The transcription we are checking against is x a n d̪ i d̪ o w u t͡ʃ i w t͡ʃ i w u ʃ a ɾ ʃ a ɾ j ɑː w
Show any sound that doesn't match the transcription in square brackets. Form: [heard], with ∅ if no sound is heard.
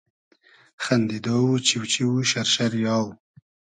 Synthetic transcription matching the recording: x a n d̪ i d̪ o w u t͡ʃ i w t͡ʃ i w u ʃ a ɾ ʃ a ɾ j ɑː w